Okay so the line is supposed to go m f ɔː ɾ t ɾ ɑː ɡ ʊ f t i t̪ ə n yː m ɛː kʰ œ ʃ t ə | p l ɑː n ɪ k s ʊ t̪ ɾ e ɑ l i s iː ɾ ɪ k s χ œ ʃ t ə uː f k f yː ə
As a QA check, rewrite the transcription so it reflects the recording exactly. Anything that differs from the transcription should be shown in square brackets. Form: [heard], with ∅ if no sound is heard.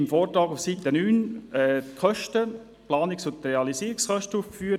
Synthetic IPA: m f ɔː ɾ t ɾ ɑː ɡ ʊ f [s] i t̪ ə n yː [n] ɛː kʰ œ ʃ t ə | p l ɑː n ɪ k s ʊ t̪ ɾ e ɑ l i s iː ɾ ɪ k s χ œ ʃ t ə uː f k f yː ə